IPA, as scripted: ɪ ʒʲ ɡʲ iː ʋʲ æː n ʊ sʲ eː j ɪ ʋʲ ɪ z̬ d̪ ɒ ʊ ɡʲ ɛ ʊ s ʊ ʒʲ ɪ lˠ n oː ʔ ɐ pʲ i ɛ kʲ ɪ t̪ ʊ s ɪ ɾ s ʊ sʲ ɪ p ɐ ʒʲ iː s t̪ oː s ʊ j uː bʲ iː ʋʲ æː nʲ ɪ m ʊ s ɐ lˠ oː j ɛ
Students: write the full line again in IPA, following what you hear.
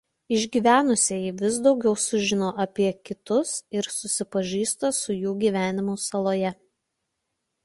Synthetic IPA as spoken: ɪ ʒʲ ɡʲ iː ʋʲ æː n ʊ sʲ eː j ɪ ʋʲ ɪ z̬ d̪ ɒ ʊ ɡʲ ɛ ʊ s ʊ ʒʲ ɪ n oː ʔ ɐ pʲ i ɛ kʲ ɪ t̪ ʊ s ɪ ɾ s ʊ sʲ ɪ p ɐ ʒʲ iː s t̪ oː s ʊ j uː ɡʲ iː ʋʲ æː nʲ ɪ m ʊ s ɐ lˠ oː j ɛ